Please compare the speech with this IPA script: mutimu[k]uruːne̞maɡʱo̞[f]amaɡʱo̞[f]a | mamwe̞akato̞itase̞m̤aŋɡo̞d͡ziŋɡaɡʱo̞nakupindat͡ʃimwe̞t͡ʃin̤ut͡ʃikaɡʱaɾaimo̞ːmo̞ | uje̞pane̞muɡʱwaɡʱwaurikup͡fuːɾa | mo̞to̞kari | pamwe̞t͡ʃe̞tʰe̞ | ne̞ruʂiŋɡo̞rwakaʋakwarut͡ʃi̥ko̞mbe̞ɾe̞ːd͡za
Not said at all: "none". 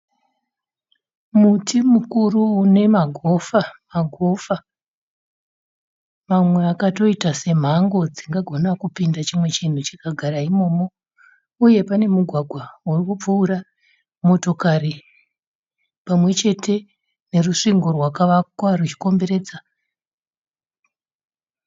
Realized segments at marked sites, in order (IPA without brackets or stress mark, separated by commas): k, f, f